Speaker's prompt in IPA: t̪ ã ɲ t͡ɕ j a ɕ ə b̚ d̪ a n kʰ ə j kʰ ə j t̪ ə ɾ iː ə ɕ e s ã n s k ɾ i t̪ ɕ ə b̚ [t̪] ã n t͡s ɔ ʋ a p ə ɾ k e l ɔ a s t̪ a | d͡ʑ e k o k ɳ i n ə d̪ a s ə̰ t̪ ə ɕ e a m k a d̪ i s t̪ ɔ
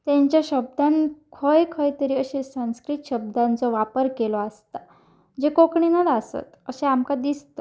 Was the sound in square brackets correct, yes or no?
no